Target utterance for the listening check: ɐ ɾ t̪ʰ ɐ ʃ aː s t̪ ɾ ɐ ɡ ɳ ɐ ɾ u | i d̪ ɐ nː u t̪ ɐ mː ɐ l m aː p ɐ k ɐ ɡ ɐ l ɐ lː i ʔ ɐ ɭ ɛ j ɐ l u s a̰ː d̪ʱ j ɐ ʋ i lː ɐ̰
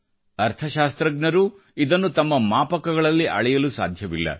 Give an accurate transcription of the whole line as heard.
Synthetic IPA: ɐ ɾ t̪ʰ ɐ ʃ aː s t̪ ɾ ɐ ɡ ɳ ɐ ɾ u | i d̪ ɐ nː u t̪ ɐ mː ɐ m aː p ɐ k ɐ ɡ ɐ ɭ ɐ lː i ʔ ɐ ɭ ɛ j ɐ l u s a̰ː d̪ʱ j ɐ ʋ i lː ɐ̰